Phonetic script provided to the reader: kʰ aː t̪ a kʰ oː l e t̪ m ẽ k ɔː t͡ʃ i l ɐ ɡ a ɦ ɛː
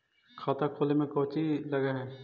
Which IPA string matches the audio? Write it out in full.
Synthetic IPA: kʰ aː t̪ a kʰ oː l e m ẽ k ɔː t͡ʃ i l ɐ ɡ a ɦ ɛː